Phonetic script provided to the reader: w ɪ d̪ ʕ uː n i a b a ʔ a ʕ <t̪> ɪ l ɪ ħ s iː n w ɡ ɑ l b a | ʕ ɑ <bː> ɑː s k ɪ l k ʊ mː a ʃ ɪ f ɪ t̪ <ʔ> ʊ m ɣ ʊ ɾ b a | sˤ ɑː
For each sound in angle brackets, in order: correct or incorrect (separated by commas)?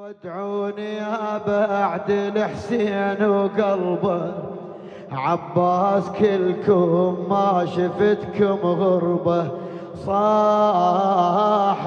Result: incorrect, correct, incorrect